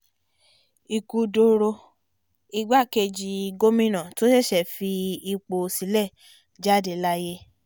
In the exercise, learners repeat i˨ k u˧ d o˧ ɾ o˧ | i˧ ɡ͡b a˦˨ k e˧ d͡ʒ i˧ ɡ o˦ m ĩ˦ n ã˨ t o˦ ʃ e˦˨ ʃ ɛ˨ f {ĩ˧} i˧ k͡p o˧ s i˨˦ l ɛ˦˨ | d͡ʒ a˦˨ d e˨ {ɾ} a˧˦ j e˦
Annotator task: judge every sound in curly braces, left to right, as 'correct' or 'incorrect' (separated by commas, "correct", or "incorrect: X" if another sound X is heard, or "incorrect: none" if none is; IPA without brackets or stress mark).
incorrect: i˧, incorrect: l